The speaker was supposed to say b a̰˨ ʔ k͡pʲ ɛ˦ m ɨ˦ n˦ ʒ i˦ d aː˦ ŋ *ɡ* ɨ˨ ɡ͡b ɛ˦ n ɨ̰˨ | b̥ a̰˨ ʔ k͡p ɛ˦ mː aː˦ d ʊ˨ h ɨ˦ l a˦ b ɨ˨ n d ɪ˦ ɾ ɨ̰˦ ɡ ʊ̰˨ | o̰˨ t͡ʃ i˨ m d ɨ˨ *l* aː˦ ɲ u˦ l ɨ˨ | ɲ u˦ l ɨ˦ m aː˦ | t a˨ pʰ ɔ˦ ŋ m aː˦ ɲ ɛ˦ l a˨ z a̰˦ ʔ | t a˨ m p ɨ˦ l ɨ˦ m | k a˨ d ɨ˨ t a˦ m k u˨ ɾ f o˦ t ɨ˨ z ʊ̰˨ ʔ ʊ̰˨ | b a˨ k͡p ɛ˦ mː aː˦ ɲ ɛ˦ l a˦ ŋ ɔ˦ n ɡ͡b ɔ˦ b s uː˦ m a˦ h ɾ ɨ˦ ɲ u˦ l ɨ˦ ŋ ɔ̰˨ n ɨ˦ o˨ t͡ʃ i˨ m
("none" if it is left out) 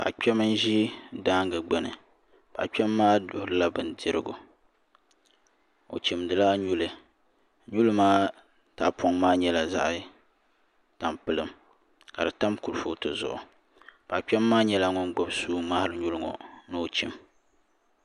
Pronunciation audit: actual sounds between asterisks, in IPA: ɡ, l

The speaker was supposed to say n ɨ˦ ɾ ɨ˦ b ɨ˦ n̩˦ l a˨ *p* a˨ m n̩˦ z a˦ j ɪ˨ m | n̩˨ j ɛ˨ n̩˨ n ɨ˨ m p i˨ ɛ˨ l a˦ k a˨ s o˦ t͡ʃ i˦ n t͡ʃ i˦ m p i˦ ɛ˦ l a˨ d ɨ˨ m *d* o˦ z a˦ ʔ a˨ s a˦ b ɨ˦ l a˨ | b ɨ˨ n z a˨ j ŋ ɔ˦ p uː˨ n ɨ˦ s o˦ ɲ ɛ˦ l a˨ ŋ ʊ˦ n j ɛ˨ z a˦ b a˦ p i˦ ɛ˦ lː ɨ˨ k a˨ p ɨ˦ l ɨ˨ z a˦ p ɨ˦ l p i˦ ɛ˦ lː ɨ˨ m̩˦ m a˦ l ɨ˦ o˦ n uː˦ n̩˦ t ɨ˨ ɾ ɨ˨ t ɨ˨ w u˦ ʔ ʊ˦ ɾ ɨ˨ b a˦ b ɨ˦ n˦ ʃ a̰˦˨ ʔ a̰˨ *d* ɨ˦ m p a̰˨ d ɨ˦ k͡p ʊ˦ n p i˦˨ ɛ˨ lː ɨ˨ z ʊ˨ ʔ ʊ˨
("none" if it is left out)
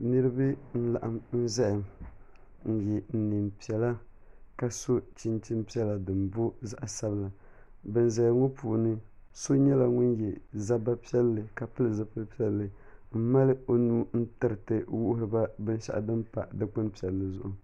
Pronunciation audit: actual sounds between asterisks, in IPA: ʔ, b, d

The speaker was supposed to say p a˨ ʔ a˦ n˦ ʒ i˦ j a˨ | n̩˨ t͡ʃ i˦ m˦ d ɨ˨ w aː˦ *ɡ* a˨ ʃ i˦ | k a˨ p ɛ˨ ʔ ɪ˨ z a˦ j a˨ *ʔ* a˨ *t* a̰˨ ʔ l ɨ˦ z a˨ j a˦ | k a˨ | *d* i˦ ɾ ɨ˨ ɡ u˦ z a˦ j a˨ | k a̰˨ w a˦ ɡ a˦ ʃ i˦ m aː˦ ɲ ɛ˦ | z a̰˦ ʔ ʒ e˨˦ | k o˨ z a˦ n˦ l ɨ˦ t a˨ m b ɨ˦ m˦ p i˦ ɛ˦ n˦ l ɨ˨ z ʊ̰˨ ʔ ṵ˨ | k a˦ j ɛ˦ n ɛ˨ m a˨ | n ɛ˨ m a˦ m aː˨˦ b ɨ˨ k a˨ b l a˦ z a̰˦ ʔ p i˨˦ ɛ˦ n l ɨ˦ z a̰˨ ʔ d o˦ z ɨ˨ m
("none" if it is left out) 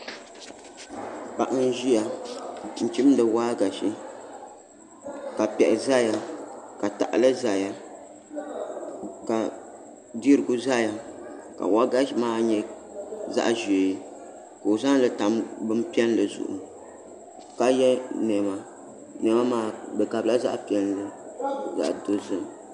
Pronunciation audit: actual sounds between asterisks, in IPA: ɡ, k, t, d

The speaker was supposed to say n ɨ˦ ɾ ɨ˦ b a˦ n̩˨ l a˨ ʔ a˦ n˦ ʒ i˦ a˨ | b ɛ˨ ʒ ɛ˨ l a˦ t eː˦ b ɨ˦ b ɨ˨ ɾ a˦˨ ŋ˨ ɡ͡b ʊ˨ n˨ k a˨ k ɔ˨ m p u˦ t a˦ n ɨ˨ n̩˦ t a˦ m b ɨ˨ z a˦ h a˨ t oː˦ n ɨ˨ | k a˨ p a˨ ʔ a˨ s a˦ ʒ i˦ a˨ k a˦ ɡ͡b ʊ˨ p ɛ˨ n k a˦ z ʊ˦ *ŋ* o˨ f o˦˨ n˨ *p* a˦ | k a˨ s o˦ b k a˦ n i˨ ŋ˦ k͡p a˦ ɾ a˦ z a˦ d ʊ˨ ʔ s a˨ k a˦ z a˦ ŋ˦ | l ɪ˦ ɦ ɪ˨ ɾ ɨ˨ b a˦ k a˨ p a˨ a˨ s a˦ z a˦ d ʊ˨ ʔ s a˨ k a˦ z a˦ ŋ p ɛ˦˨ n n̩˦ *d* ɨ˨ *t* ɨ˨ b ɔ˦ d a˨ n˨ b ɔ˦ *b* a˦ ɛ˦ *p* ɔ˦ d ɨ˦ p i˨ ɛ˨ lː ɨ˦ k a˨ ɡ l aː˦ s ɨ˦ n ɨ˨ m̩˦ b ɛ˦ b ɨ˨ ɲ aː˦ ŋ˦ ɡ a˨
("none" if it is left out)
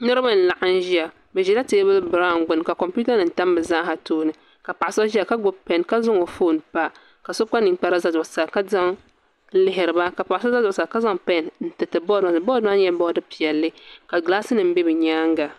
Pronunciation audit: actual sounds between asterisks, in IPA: ŋ, p, t, t, d, b

